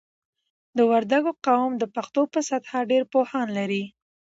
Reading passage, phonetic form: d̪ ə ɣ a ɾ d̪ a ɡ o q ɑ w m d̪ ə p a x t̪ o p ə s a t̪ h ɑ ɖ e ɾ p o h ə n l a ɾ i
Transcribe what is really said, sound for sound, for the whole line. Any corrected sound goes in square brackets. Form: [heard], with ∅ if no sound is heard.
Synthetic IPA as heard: d̪ ə [w] a ɾ d̪ a ɡ o q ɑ w m d̪ ə p a x t̪ o p ə s a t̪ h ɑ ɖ e ɾ p o h [ɑ] n l a ɾ i